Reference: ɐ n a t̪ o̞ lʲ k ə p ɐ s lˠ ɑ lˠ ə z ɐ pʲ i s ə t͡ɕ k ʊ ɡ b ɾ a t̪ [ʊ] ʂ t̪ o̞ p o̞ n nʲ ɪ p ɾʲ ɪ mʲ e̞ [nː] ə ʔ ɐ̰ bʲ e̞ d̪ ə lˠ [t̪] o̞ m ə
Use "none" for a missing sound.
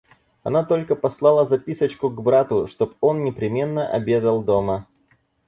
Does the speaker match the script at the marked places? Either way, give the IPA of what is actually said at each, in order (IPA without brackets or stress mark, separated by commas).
ʊ, nː, d̪